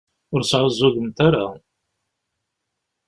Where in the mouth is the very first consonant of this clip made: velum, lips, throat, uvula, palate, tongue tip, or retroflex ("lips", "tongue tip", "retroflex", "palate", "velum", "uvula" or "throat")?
tongue tip